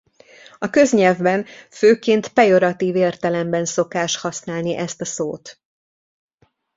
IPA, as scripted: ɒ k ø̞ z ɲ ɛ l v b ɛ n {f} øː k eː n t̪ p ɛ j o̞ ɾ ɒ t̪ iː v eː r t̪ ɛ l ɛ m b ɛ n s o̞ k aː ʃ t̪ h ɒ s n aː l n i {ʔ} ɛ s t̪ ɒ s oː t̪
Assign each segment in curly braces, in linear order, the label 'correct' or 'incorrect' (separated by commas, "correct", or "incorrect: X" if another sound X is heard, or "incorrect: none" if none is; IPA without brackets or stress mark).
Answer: correct, correct